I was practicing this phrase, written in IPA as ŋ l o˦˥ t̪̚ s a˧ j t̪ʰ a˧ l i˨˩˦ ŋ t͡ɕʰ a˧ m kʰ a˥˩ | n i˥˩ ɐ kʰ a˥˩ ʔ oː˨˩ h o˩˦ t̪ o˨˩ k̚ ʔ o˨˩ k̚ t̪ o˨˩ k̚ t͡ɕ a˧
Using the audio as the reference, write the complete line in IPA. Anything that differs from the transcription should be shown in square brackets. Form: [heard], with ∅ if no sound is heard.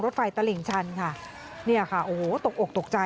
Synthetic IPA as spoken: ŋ [ɾ] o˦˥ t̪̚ [f] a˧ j [t̪] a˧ l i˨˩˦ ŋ t͡ɕʰ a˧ [n] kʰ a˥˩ | n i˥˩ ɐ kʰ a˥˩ ʔ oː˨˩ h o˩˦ t̪ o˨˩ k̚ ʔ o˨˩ k̚ t̪ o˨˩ k̚ t͡ɕ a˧